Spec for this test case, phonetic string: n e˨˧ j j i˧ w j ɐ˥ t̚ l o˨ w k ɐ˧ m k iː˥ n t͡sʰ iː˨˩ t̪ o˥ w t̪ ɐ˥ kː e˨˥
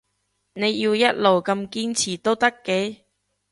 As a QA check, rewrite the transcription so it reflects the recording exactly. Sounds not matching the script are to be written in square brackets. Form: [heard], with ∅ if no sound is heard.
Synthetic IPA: n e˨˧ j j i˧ w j ɐ˥ t̚ l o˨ w k ɐ˧ m k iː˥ n t͡sʰ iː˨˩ t̪ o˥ w t̪ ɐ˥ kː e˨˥